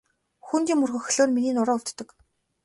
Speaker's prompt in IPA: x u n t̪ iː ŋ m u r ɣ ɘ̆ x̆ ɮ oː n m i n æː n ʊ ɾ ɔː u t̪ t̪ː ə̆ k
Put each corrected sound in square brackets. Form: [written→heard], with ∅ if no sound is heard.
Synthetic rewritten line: x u n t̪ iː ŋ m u r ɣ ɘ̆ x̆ ɮ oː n m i n [æː→iː] n ʊ ɾ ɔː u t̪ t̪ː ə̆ k